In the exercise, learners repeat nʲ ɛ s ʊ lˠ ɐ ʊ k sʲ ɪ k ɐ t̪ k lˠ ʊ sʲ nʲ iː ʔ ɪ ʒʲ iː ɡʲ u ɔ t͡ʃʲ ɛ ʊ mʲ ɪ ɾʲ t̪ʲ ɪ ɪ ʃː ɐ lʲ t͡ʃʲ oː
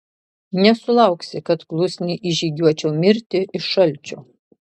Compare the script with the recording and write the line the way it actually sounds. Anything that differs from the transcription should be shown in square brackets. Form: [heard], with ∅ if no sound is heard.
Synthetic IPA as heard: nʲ ɛ s ʊ lˠ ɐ ʊ k sʲ ɪ k ɐ t̪ k lˠ ʊ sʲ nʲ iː ʔ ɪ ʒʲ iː ɡʲ u ɔ t͡ʃʲ ɛ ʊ mʲ ɪ ɾʲ t̪ʲ ɪ ɪ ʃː ɐ lʲ t͡ʃʲ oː